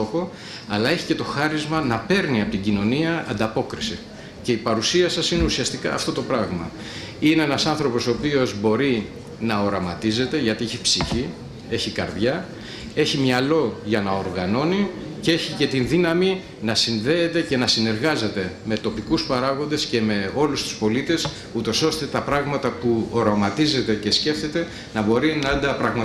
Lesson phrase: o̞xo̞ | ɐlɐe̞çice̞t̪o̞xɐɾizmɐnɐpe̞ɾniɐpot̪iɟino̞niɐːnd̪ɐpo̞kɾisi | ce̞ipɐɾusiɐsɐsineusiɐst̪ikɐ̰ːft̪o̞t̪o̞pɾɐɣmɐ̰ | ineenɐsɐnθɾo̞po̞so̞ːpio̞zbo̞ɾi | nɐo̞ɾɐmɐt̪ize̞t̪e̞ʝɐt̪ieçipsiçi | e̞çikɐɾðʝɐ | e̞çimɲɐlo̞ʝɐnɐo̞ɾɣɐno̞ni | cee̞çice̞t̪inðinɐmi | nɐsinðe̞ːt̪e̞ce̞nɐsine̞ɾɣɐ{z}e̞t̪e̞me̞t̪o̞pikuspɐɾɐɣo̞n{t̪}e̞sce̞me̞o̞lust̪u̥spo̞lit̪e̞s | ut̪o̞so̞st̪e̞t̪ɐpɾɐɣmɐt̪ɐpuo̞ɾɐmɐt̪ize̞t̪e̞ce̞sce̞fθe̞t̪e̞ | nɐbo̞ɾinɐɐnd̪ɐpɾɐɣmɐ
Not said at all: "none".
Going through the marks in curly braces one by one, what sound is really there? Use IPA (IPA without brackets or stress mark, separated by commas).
z, d̪